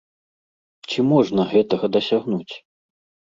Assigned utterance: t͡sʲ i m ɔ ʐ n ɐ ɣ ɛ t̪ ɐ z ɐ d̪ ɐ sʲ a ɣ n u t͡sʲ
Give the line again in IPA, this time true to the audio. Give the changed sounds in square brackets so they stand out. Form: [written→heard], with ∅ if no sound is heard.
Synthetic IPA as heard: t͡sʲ i m ɔ ʐ n ɐ ɣ ɛ t̪ ɐ [z→ɣ] ɐ d̪ ɐ sʲ a ɣ n u t͡sʲ